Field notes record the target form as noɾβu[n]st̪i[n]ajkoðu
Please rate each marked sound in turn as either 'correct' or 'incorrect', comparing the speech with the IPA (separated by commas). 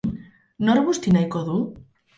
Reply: incorrect, correct